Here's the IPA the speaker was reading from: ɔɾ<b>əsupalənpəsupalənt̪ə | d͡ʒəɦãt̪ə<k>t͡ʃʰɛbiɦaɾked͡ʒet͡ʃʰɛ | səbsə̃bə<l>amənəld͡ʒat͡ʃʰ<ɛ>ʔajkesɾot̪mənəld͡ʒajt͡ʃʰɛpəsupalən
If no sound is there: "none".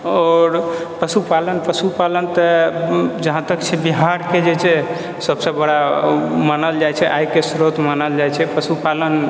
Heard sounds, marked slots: p, k, ɽ, ɛ

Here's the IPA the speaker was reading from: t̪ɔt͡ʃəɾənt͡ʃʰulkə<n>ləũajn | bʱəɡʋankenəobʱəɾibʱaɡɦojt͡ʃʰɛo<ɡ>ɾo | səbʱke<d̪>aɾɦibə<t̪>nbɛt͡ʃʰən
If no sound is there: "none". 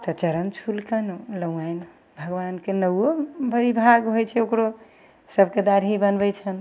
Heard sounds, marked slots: n, k, d̪, none

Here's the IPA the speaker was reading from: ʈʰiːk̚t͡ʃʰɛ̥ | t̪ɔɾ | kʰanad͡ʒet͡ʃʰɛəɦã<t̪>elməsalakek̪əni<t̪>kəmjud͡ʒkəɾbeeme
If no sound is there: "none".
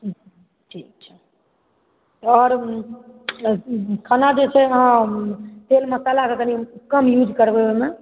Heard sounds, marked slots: t̪, none

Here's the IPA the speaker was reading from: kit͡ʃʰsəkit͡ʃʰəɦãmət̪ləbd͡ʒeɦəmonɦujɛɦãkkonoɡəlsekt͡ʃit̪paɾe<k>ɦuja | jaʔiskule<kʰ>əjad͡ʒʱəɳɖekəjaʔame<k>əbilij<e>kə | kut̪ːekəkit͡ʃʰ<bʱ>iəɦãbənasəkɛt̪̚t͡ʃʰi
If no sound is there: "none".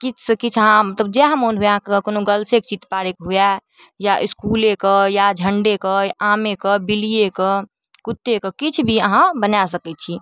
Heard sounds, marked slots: k, k, k, e, bʱ

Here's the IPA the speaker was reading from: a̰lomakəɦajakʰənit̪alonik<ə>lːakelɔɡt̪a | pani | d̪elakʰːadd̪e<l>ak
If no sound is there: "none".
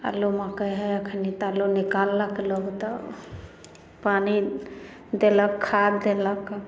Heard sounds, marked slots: a, l

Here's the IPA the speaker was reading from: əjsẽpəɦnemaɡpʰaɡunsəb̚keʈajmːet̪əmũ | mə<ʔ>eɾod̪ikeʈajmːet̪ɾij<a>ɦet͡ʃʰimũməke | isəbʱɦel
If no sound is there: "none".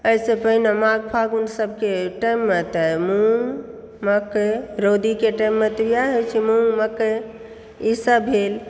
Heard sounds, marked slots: k, a

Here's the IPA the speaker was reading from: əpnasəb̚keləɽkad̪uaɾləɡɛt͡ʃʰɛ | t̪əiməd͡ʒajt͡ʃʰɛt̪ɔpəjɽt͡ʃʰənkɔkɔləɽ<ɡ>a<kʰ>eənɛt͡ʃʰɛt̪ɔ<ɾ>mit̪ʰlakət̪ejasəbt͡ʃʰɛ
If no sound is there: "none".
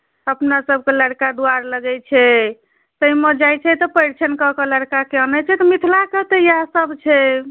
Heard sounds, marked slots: k, k, none

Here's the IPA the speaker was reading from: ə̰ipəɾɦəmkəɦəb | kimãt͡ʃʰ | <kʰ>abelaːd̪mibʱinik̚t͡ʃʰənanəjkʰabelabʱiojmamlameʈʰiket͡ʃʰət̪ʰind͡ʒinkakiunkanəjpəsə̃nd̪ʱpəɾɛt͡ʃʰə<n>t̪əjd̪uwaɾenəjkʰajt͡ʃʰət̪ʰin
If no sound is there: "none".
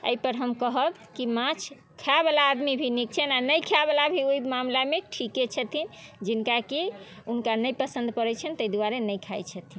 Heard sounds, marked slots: kʰ, n

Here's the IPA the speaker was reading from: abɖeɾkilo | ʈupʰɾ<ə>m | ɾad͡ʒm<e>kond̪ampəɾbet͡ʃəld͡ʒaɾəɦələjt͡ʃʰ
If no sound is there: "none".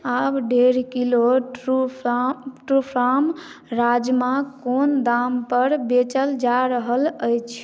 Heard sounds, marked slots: a, a

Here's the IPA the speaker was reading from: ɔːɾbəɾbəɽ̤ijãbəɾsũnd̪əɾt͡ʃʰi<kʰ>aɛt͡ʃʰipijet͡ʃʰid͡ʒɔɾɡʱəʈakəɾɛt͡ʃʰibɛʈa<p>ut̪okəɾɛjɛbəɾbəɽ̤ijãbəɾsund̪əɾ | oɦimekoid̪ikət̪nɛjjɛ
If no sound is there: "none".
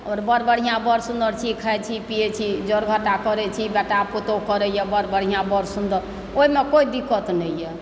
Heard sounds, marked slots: kʰ, p

